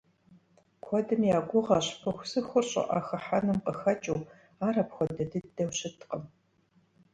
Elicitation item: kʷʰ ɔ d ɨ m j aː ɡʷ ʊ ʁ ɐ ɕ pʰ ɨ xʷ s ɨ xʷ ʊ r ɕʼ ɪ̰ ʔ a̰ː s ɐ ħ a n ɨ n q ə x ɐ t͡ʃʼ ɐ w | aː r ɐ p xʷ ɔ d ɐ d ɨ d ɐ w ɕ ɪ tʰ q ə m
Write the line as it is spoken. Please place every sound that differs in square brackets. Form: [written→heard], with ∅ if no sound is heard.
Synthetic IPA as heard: kʷʰ ɔ d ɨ m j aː ɡʷ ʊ ʁ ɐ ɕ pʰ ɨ xʷ s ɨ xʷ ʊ r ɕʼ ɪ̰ ʔ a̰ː [s→x] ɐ ħ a n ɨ [n→m] q ə x ɐ t͡ʃʼ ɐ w | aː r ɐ p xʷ ɔ d ɐ d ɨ d ɐ w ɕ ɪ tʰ q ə m